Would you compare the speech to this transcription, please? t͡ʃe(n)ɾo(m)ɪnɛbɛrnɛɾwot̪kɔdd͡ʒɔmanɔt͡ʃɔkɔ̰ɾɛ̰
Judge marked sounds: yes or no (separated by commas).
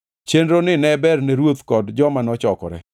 yes, no